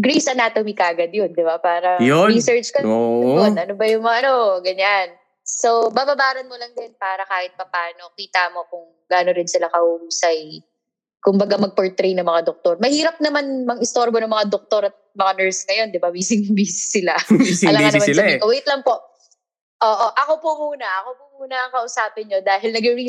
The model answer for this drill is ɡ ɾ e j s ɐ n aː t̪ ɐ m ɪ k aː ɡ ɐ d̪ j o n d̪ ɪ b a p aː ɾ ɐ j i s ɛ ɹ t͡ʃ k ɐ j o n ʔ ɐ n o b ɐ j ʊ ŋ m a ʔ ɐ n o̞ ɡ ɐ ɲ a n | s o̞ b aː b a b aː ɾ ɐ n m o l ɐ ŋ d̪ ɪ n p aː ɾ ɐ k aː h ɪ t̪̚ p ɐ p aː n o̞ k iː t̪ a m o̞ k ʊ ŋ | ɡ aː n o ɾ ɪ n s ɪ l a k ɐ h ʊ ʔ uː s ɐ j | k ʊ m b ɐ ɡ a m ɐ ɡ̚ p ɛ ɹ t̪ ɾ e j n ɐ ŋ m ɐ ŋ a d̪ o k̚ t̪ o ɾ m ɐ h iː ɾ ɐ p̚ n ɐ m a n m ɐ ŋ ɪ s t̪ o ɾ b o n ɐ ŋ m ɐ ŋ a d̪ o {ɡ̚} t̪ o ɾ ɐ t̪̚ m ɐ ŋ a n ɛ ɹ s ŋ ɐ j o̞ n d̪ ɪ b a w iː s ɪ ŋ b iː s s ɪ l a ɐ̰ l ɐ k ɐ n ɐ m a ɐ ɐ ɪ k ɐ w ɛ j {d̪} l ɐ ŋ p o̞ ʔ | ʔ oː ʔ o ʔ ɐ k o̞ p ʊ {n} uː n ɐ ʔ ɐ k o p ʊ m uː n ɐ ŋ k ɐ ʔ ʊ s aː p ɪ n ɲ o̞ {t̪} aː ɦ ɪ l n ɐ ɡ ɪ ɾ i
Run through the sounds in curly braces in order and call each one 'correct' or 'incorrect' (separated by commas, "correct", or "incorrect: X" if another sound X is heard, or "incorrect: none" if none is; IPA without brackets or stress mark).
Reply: incorrect: k̚, incorrect: t̪, incorrect: m, incorrect: d̪